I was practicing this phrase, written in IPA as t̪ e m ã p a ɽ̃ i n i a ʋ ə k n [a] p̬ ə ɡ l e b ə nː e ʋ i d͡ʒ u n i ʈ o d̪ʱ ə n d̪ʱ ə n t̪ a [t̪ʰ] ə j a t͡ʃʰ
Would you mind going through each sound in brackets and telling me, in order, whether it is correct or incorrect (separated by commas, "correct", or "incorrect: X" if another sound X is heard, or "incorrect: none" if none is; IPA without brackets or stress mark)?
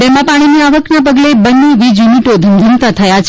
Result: correct, correct